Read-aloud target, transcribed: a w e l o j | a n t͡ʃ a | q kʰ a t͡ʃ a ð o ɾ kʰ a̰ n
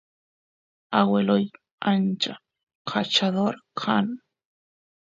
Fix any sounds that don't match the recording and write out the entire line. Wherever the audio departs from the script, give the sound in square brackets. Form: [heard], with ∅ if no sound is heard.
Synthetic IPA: a w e l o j | a n t͡ʃ a | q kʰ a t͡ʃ a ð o ɾ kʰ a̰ n

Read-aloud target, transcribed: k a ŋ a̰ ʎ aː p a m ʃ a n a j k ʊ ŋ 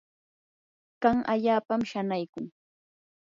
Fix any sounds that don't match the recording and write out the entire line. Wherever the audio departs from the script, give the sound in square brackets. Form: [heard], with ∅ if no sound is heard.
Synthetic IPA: k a ŋ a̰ ʎ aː p a m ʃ a n a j k ʊ ŋ

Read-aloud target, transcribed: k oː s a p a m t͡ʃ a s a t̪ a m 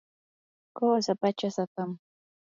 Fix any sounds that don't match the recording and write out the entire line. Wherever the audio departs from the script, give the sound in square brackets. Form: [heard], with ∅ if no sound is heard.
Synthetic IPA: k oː s a p a [∅] t͡ʃ a s a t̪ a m

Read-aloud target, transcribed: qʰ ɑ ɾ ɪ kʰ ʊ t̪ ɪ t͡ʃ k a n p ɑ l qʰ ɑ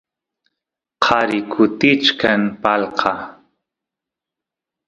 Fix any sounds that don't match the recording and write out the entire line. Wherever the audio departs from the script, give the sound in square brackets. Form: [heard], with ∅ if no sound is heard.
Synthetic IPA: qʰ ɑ ɾ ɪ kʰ ʊ t̪ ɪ t͡ʃ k a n p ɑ l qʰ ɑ

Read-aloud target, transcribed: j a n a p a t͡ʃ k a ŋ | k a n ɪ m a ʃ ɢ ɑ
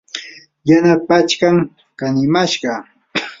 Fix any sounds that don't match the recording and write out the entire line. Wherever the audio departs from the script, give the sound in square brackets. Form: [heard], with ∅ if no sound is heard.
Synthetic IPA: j a n a p a t͡ʃ k a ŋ | k a n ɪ m a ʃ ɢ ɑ

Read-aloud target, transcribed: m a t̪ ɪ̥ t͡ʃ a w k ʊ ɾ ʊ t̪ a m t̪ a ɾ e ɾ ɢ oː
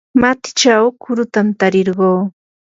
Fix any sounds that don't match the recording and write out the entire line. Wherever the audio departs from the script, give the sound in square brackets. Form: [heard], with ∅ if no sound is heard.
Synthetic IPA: m a t̪ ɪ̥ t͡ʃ a w k ʊ ɾ ʊ t̪ a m t̪ a ɾ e ɾ ɢ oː

